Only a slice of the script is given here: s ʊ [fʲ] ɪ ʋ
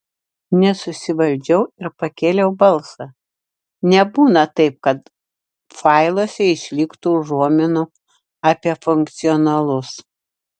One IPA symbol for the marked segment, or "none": sʲ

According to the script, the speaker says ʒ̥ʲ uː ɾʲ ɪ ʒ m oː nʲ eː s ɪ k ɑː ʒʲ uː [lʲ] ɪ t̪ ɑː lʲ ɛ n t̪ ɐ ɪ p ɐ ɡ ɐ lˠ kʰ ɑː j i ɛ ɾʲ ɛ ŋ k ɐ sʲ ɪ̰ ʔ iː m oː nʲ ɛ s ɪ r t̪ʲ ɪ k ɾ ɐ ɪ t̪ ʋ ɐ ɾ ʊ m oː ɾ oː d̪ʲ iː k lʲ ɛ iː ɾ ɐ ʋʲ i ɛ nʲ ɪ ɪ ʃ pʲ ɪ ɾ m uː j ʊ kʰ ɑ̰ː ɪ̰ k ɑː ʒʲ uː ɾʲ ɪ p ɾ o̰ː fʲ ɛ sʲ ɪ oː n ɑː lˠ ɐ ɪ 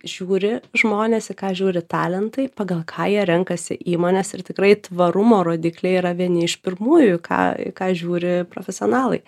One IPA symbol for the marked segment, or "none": ɾʲ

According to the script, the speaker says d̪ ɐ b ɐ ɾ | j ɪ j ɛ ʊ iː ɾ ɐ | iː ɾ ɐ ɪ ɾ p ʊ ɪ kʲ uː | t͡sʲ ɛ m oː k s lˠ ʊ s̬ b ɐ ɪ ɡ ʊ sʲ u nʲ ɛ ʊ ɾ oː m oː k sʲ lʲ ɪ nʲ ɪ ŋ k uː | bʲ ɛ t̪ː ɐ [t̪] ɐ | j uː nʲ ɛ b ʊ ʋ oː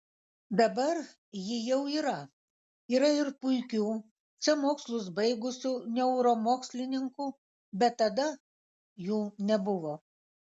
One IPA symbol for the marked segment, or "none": d̪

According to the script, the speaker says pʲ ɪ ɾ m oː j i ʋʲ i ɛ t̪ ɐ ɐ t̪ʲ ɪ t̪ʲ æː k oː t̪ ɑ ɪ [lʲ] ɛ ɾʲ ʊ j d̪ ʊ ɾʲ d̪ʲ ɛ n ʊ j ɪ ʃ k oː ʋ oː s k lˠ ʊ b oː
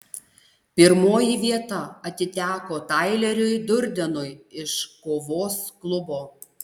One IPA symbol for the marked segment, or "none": lʲ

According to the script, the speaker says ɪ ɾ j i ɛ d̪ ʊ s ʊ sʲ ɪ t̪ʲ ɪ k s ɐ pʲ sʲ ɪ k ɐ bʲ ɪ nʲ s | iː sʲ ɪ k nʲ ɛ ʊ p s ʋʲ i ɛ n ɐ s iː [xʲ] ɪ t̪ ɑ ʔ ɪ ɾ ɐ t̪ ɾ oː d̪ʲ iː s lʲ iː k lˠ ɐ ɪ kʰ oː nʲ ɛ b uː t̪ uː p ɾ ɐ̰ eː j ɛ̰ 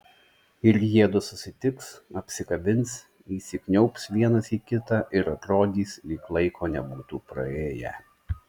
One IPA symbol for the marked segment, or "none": kʲ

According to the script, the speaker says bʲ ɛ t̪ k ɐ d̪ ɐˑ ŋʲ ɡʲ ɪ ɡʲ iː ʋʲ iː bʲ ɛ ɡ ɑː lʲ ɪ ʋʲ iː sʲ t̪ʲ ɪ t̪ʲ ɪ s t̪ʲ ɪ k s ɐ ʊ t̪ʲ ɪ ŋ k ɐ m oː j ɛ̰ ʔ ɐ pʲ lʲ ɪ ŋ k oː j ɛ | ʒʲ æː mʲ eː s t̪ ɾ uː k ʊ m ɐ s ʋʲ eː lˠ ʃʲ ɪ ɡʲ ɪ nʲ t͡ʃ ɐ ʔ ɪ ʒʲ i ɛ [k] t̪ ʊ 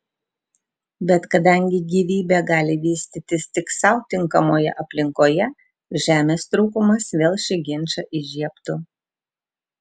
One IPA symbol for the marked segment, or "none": p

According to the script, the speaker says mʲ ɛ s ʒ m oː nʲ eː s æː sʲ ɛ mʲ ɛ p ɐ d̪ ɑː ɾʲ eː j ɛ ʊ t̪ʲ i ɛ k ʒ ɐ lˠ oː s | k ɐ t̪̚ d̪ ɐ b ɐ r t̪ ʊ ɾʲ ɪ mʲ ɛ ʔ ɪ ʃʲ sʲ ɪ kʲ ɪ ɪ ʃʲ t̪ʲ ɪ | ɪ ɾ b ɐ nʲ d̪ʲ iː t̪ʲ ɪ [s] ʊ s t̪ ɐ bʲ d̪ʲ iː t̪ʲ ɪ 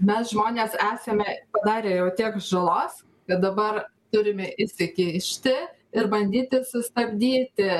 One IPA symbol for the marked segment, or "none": s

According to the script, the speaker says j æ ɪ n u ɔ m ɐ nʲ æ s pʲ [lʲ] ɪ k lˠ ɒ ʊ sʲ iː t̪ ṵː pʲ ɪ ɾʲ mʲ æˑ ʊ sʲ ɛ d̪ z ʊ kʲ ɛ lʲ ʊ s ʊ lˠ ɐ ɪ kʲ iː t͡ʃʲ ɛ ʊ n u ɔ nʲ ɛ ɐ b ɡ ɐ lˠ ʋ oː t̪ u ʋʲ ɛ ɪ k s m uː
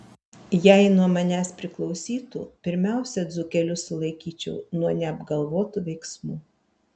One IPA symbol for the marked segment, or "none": ɾʲ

